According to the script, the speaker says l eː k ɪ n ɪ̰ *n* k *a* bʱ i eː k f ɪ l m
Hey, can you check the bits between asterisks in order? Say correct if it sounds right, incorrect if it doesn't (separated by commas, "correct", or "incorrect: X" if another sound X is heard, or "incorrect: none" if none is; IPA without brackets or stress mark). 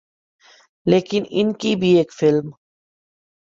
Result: correct, incorrect: i